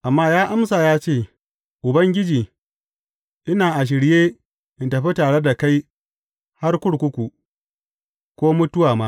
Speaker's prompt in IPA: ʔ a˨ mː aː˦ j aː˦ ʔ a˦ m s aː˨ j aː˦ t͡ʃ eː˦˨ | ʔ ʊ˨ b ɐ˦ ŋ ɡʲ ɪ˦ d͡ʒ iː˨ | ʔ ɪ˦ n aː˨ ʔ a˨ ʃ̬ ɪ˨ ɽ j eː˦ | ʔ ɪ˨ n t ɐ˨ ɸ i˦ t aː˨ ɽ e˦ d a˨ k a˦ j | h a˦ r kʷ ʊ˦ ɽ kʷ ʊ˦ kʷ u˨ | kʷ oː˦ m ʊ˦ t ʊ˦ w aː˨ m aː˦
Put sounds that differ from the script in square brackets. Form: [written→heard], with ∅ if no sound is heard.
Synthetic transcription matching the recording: ʔ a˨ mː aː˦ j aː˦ ʔ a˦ m s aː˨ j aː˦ t͡ʃ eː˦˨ | ʔ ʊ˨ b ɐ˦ ŋ ɡʲ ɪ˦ d͡ʒ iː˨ | ʔ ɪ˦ n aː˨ ʔ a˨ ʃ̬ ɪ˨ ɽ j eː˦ | ʔ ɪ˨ n t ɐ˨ ɸ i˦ t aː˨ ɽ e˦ d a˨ k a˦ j | h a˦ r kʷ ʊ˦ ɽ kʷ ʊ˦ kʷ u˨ | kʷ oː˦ m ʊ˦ t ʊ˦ w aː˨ m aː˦